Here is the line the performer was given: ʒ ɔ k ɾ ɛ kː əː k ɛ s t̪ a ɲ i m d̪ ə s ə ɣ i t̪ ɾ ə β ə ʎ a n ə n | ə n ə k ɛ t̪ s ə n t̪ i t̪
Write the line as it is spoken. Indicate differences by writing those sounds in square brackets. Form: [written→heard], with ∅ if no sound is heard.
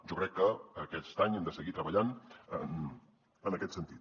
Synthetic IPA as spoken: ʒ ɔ k ɾ ɛ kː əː k ɛ s t̪ a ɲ [i→ɛ] m d̪ ə s ə ɣ i t̪ ɾ ə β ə ʎ a n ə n | ə n ə k ɛ t̪ s ə n t̪ i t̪